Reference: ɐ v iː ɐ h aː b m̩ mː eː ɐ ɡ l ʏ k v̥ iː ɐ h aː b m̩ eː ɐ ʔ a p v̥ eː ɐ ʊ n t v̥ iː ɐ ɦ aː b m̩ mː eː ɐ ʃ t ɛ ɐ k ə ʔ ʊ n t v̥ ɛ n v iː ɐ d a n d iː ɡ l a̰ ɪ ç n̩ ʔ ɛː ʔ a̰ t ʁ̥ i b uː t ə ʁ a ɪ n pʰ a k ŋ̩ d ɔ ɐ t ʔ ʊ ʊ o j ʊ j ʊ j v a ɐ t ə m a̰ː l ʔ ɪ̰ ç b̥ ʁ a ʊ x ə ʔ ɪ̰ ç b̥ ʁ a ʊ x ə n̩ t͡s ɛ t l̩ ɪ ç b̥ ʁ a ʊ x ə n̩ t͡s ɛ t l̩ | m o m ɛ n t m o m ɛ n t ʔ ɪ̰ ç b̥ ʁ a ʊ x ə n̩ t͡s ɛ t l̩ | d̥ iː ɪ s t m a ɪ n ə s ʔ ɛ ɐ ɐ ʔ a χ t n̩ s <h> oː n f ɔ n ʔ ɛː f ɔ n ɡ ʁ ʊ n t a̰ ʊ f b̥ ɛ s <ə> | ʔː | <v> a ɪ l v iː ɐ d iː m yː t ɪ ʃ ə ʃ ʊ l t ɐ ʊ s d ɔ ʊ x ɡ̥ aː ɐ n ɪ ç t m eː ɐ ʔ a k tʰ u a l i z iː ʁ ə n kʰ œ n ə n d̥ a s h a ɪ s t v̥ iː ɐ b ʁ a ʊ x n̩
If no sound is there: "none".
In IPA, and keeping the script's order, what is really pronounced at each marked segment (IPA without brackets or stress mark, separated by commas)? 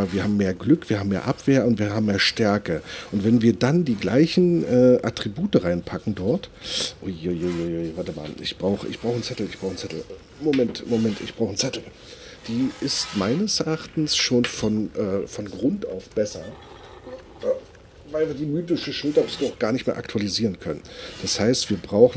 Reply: ʃ, ɐ, v